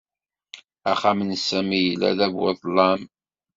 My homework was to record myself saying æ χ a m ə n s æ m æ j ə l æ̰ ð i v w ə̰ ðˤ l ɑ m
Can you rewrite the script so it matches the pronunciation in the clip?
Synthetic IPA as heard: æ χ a m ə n s æ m i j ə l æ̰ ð æ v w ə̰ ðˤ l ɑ m